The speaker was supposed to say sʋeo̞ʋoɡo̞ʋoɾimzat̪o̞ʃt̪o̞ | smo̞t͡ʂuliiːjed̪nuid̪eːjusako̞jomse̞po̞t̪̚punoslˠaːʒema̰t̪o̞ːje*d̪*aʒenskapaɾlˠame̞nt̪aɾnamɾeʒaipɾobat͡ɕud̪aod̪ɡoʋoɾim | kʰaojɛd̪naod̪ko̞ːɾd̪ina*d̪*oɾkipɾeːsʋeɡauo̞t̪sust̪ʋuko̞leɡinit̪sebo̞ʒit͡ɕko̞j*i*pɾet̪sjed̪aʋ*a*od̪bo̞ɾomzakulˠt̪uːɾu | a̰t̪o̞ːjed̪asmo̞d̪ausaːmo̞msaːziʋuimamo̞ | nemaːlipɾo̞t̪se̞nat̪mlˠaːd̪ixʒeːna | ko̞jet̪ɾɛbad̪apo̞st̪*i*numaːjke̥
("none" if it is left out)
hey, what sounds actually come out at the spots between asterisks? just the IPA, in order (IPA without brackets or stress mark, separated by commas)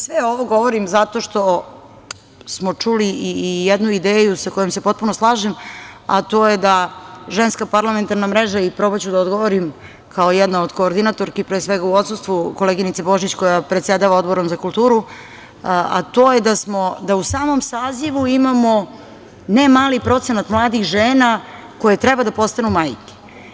d̪, t̪, a, a, a